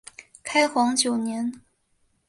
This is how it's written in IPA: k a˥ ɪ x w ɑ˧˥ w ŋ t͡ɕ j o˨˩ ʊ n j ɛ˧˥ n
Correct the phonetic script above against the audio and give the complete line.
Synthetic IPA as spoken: kʰ a˥ ɪ x w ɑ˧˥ ŋ t͡ɕ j o˨˩ ʊ n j ɛ˧˥ n